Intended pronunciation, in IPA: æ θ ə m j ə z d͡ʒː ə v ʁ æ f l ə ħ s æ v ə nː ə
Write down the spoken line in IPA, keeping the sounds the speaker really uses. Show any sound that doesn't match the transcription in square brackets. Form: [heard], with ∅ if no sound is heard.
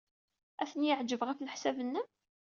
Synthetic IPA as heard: æ θ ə [n] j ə [ʕ] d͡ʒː ə v ʁ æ f l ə ħ s æ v ə nː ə